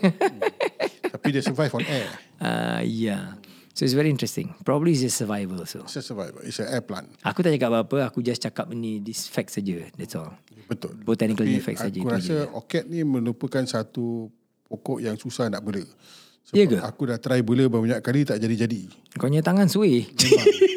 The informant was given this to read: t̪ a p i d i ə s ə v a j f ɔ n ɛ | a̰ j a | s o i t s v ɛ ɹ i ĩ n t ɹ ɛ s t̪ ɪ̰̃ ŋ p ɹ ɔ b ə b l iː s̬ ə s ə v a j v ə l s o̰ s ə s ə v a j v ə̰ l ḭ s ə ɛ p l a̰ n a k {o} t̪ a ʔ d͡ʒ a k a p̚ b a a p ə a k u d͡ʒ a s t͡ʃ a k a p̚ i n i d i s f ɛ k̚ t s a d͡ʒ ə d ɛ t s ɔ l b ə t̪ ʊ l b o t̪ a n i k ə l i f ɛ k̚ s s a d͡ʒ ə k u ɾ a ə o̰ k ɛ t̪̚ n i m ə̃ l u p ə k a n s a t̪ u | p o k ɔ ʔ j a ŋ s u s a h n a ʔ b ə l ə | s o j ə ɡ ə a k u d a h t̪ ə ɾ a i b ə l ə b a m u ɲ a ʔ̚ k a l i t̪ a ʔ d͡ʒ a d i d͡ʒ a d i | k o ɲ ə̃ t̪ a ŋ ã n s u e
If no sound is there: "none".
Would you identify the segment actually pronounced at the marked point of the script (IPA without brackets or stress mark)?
u